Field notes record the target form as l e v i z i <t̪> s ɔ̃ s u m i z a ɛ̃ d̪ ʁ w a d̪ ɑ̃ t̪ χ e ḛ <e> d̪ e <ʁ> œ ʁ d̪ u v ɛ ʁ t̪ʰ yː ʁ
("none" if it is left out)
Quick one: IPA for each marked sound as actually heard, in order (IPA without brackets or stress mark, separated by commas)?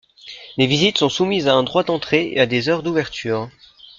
t̪, a, z